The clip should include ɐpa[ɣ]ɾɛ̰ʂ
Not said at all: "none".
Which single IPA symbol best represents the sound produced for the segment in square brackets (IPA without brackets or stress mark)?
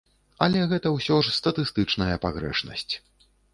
ɣ